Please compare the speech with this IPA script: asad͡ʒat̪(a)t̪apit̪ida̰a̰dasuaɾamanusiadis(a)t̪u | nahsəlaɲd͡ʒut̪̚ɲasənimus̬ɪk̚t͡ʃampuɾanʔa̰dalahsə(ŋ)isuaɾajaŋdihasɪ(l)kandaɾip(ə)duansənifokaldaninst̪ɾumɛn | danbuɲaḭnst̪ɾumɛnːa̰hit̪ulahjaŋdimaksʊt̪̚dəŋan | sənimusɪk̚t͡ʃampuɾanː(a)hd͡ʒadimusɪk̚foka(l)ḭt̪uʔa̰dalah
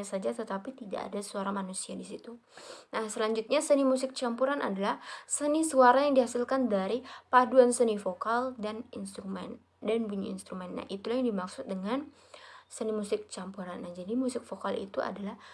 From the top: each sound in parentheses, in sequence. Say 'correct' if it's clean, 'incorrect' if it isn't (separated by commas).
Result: incorrect, incorrect, incorrect, correct, incorrect, correct, correct